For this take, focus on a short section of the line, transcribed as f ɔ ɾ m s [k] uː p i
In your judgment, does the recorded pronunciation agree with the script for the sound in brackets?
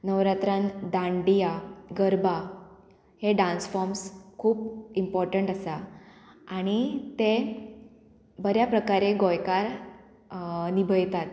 no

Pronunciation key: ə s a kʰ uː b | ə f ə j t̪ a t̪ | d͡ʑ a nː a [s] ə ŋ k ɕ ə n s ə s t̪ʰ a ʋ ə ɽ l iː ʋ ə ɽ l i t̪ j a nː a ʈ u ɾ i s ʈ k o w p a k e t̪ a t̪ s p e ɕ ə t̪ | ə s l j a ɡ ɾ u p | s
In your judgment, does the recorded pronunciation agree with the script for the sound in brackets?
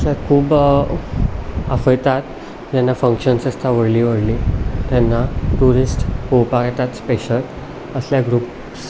no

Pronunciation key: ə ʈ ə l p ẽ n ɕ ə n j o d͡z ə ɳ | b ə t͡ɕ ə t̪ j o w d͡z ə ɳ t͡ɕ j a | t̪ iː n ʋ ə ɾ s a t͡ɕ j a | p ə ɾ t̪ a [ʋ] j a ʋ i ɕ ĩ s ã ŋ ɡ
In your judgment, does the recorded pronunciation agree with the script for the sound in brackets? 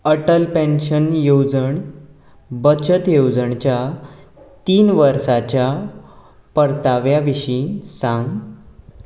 yes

